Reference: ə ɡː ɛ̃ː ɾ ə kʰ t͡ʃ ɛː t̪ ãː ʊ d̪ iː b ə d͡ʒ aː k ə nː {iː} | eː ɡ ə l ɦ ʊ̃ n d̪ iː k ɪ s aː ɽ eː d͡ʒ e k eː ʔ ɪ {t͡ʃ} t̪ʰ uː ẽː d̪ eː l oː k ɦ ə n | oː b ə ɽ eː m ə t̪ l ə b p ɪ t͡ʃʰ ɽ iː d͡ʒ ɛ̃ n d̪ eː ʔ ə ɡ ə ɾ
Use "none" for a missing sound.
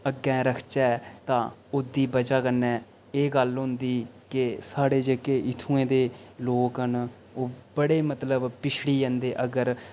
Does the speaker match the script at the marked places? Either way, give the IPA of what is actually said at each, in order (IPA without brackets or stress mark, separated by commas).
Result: ɛː, none